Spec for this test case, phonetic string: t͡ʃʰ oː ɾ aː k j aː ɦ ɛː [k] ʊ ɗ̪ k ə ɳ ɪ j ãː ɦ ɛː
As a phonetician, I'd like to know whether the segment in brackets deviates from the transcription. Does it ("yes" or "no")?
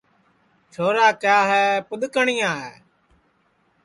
yes